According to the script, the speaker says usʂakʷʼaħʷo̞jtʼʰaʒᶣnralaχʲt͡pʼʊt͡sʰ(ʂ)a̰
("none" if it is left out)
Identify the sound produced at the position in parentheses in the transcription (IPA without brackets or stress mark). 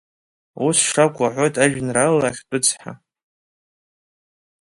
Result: ħ